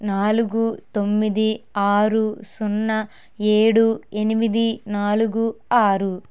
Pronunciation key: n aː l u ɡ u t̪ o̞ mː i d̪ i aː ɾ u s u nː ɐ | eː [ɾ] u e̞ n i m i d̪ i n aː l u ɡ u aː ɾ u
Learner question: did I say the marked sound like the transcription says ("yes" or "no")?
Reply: no